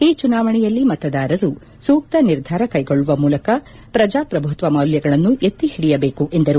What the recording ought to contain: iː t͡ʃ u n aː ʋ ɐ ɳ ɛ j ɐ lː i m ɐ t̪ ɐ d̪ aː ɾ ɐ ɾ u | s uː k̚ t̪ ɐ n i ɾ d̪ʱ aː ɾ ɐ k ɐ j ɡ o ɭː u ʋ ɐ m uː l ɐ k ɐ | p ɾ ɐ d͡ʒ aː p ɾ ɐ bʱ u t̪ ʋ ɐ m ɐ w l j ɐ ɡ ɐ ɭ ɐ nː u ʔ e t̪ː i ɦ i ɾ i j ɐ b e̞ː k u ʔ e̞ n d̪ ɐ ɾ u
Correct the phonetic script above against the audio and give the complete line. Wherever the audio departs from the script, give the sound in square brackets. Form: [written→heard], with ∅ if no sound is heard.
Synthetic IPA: iː t͡ʃ u n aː ʋ ɐ ɳ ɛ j ɐ lː i m ɐ t̪ ɐ d̪ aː ɾ ɐ ɾ u | s uː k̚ t̪ ɐ n i ɾ d̪ʱ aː ɾ ɐ k ɐ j ɡ o ɭː u ʋ ɐ m uː l ɐ k ɐ | p ɾ ɐ d͡ʒ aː p ɾ ɐ bʱ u t̪ ʋ ɐ m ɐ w l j ɐ ɡ ɐ ɭ ɐ nː u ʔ e t̪ː i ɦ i [ɾ→ɽ] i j ɐ b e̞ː k u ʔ e̞ n d̪ ɐ ɾ u

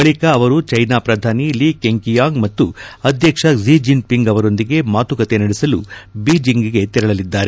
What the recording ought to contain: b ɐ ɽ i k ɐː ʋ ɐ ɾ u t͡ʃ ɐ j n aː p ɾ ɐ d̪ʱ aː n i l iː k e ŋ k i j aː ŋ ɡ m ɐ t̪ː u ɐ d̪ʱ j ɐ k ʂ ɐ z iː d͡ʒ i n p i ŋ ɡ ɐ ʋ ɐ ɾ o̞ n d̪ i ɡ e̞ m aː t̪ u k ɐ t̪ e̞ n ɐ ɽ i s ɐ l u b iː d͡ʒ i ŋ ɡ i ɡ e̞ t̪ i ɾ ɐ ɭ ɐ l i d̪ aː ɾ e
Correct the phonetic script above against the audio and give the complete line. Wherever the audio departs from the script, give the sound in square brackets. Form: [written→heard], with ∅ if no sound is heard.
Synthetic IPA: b ɐ [ɽ→ɭ] i k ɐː ʋ ɐ ɾ u t͡ʃ ɐ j n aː p ɾ ɐ d̪ʱ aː n i l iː k e ŋ k i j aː ŋ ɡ m ɐ t̪ː u ɐ d̪ʱ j ɐ k ʂ ɐ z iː d͡ʒ i n p i ŋ ɡ ɐ ʋ ɐ ɾ o̞ n d̪ i ɡ e̞ m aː t̪ u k ɐ t̪ e̞ n ɐ ɽ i s ɐ l u b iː d͡ʒ i ŋ ɡ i ɡ e̞ t̪ i ɾ ɐ ɭ ɐ l i [d̪→d̪ː] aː ɾ e

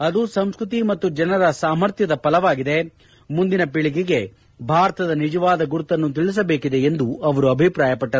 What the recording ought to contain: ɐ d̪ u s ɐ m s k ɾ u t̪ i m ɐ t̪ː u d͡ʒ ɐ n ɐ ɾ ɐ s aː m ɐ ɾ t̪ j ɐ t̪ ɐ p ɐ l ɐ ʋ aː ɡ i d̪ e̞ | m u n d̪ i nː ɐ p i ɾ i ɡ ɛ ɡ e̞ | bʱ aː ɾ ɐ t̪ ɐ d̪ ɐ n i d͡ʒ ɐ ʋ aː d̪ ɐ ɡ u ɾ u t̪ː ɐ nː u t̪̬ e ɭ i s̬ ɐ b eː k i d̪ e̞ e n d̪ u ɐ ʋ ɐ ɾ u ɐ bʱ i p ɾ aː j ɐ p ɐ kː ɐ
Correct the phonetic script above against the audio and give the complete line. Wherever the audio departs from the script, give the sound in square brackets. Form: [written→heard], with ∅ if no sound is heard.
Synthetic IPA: ɐ d̪ u s ɐ m s k ɾ u t̪ i m ɐ t̪ː u d͡ʒ ɐ n ɐ ɾ ɐ s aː m ɐ ɾ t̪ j ɐ [t̪→d̪] ɐ p ɐ l ɐ ʋ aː ɡ i d̪ e̞ | m u n d̪ i [nː→n] ɐ p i [ɾ→ɭ] i ɡ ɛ ɡ e̞ | bʱ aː ɾ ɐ t̪ ɐ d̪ ɐ n i d͡ʒ ɐ ʋ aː d̪ ɐ ɡ u ɾ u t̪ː ɐ nː u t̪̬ [e→i] ɭ i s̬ ɐ b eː k i d̪ e̞ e n d̪ u ɐ ʋ ɐ ɾ u ɐ bʱ i p ɾ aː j ɐ p ɐ [kː→ʈː] ɐ

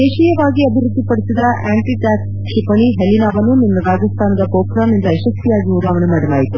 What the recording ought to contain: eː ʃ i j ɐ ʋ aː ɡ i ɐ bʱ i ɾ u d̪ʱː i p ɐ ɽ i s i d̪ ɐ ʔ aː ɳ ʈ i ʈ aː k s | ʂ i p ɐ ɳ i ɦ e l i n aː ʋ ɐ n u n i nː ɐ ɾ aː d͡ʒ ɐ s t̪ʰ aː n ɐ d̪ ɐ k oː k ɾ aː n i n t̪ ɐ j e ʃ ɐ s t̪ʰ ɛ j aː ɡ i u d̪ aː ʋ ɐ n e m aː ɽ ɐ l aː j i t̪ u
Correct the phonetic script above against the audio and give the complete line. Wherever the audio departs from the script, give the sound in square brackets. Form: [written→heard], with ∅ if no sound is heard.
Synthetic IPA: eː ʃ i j ɐ ʋ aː ɡ i ɐ bʱ i ɾ u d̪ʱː i p ɐ ɽ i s i d̪ ɐ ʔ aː ɳ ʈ i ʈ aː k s | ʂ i p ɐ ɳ i ɦ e l i n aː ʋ ɐ n u n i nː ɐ ɾ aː d͡ʒ ɐ s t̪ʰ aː n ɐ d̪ ɐ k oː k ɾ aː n i n [t̪→d̪] ɐ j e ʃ ɐ s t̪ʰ [ɛ→i] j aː ɡ i u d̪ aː ʋ ɐ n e m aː ɽ ɐ l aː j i t̪ u

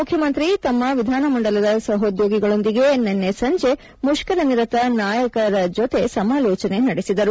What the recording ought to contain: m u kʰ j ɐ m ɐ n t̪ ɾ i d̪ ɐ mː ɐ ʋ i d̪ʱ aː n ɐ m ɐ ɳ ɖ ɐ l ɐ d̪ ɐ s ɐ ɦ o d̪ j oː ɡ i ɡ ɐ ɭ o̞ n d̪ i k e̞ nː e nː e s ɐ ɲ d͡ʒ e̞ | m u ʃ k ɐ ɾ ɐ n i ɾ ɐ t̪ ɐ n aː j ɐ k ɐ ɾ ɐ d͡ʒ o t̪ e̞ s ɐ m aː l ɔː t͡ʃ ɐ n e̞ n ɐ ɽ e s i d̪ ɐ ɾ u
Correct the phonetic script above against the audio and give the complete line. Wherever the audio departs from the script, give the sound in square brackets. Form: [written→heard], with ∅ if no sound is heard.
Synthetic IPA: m u kʰ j ɐ m ɐ n t̪ ɾ i [d̪→t̪] ɐ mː ɐ ʋ i d̪ʱ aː n ɐ m ɐ ɳ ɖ ɐ l ɐ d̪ ɐ s ɐ ɦ o d̪ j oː ɡ i ɡ ɐ ɭ o̞ n d̪ i [k→ɡ] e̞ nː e nː e s ɐ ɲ d͡ʒ e̞ | m u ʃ k ɐ ɾ ɐ n i ɾ ɐ t̪ ɐ n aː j ɐ k ɐ ɾ ɐ d͡ʒ o t̪ e̞ s ɐ m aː l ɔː t͡ʃ ɐ n e̞ n ɐ ɽ e s i d̪ ɐ ɾ u

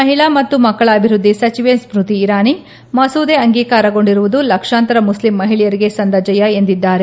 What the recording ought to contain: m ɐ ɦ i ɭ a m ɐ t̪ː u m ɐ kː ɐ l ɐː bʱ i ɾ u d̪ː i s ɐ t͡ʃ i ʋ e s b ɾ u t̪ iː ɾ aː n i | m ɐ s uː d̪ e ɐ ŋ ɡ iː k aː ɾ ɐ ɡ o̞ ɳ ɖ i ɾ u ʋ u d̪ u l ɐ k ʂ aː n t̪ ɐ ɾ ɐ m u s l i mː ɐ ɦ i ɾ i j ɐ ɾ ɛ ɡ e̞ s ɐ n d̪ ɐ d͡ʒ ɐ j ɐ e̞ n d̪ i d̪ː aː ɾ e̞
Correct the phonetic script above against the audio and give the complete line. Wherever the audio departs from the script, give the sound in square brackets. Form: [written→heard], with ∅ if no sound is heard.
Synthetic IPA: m ɐ ɦ i ɭ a m ɐ t̪ː u m ɐ kː ɐ [l→ɭ] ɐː bʱ i ɾ u d̪ː i s ɐ t͡ʃ i ʋ e s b ɾ u t̪ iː ɾ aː n i | m ɐ s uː d̪ e ɐ ŋ ɡ iː k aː ɾ ɐ ɡ o̞ ɳ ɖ i ɾ u ʋ u d̪ u l ɐ k ʂ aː n t̪ ɐ ɾ ɐ m u s l i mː ɐ ɦ i [ɾ→ɭ] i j ɐ ɾ [ɛ→i] ɡ e̞ s ɐ n d̪ ɐ d͡ʒ ɐ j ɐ e̞ n d̪ i d̪ː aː ɾ e̞

